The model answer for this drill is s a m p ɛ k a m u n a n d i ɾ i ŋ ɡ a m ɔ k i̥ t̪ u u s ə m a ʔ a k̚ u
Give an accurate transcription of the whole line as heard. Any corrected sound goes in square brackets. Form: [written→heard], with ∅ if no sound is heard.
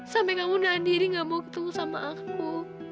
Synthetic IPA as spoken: s a m p ɛ k a m u n a n d i ɾ i ŋ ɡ a m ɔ k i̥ t̪ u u s [ə→a] m a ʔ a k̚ u